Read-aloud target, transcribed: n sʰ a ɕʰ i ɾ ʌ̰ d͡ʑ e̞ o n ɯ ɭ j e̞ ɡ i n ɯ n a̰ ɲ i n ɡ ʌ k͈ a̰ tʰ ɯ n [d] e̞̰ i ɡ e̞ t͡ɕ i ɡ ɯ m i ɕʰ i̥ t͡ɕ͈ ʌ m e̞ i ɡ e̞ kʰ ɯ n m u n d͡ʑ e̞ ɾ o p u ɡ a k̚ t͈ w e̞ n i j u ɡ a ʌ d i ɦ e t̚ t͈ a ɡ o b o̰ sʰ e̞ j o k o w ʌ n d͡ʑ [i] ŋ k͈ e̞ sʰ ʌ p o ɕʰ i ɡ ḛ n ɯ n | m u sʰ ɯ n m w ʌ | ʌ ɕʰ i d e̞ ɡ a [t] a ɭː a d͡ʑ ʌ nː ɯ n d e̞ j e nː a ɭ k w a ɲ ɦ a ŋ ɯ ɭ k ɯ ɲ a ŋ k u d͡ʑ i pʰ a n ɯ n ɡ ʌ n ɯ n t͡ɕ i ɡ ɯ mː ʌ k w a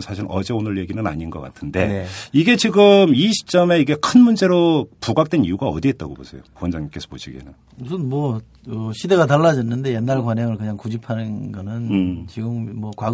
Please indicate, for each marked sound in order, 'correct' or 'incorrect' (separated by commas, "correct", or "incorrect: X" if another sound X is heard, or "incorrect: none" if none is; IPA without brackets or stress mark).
correct, incorrect: a, correct